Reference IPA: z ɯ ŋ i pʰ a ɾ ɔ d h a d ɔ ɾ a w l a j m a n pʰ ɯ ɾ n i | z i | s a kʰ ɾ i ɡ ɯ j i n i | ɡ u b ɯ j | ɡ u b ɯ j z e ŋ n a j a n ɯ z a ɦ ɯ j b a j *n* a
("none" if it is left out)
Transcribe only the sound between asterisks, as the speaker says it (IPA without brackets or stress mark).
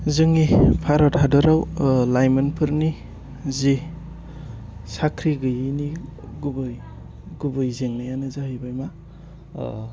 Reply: m